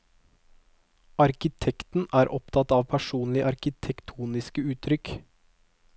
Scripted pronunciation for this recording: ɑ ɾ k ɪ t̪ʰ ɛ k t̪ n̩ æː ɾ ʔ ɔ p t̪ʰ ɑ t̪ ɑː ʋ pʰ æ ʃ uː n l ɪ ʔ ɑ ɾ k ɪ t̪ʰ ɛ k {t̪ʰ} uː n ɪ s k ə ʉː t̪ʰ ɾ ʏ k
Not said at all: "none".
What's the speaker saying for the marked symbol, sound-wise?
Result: t̪ʰ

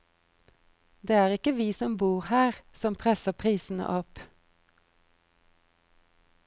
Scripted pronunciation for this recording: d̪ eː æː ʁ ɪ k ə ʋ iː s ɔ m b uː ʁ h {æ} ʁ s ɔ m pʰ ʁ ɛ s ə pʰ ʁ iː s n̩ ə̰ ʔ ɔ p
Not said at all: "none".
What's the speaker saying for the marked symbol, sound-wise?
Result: æː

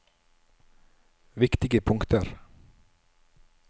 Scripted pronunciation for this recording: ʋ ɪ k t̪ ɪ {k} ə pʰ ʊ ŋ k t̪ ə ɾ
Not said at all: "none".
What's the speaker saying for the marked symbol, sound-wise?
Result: ɡ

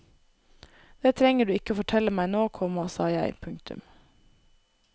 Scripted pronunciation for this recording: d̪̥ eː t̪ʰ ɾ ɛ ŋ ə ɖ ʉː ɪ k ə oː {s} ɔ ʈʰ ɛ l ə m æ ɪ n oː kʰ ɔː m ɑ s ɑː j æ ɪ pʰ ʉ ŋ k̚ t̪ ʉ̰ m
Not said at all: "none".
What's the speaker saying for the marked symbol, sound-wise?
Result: f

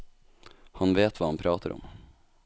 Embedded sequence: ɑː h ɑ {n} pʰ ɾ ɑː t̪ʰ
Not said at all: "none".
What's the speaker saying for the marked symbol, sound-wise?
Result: n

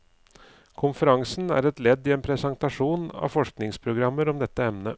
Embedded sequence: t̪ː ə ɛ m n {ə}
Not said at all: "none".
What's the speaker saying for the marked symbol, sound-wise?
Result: ə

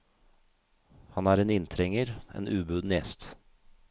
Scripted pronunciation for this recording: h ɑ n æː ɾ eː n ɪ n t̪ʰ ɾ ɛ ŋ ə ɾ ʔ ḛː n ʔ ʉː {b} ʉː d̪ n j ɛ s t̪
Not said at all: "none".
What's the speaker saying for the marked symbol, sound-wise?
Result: b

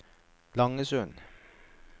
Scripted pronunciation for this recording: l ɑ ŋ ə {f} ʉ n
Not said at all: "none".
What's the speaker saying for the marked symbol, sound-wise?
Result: s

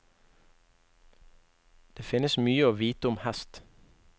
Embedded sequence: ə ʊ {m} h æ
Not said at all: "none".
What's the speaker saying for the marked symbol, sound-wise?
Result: m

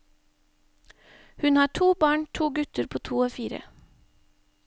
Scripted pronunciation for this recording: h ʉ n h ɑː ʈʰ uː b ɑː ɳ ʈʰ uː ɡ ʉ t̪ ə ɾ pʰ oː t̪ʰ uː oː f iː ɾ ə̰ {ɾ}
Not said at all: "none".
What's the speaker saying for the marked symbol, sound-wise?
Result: none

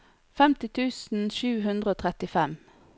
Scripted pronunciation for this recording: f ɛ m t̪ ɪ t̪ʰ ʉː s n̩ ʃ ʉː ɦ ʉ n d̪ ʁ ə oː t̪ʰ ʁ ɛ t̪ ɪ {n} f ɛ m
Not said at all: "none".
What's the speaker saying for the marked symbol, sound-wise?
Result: none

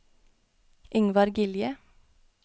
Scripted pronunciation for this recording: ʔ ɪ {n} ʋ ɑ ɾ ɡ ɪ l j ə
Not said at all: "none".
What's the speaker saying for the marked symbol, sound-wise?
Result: ŋ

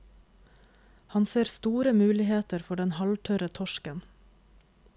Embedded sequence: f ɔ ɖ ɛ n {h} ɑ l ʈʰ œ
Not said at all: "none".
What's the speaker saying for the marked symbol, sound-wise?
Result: h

